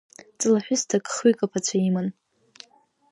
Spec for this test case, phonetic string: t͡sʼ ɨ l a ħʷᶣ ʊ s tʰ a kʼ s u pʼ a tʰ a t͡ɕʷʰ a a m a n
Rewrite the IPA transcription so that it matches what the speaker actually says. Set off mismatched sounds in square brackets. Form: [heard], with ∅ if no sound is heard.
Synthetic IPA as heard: t͡sʼ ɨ l a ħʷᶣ ʊ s tʰ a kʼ [χ] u [kʼ] a [pʰ] a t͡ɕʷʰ a [i] m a n